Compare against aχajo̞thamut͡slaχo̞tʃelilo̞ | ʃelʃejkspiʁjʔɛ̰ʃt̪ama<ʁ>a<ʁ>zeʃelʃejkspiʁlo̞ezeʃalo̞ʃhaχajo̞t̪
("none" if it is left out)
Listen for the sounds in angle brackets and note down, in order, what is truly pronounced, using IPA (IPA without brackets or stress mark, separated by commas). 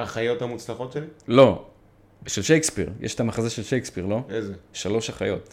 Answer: χ, none